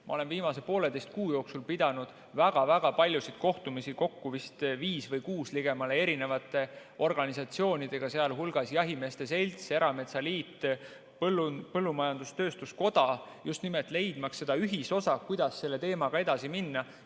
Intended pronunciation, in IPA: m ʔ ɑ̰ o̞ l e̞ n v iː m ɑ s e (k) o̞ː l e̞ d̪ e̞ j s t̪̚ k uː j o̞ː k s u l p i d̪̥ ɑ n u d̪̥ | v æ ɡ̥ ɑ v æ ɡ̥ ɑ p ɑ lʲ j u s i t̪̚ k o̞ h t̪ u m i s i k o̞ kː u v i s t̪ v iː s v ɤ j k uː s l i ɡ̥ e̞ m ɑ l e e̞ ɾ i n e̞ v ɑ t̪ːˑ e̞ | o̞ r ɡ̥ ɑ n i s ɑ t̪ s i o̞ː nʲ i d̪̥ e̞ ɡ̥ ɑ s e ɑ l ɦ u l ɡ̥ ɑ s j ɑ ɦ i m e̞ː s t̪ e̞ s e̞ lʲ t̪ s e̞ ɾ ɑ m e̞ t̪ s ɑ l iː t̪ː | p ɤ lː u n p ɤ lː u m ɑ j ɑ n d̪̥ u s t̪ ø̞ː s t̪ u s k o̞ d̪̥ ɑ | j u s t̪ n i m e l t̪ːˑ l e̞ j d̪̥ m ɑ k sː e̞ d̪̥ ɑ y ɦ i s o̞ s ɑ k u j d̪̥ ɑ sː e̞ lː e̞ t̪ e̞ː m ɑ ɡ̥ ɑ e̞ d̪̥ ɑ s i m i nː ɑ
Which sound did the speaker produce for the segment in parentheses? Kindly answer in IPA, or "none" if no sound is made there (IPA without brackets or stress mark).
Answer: p